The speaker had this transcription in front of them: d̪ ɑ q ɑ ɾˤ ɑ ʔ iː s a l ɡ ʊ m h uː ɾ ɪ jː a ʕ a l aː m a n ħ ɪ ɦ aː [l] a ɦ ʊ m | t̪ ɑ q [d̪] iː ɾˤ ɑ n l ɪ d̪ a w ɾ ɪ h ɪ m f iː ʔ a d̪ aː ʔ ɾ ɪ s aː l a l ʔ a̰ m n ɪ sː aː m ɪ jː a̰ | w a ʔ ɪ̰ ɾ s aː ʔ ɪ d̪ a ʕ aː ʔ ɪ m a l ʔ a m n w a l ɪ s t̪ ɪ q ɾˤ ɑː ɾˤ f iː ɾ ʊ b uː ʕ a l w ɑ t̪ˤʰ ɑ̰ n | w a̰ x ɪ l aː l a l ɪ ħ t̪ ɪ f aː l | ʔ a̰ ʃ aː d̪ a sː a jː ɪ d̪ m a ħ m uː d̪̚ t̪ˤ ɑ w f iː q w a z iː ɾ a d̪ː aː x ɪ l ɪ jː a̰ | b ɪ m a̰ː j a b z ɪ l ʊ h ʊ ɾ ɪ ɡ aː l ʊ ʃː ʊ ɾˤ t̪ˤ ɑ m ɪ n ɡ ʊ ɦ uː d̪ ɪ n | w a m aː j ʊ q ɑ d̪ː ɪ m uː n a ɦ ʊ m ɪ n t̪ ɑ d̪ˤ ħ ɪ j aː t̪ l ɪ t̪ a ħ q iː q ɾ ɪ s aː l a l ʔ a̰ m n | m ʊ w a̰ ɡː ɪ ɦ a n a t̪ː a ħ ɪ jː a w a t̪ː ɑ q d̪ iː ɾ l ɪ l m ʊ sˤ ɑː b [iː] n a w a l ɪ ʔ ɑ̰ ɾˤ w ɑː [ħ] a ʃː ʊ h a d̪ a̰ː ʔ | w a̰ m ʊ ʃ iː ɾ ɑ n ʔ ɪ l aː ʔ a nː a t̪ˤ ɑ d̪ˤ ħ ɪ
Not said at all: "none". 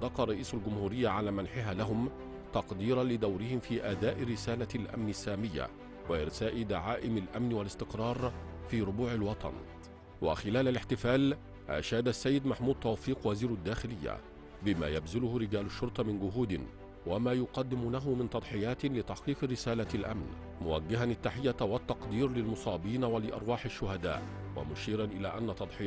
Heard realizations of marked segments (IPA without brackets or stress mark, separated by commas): l, d̪, iː, ħ